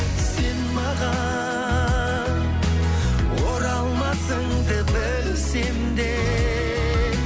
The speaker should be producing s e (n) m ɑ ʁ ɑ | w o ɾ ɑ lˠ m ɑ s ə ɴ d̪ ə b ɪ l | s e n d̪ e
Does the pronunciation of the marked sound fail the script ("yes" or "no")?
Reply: no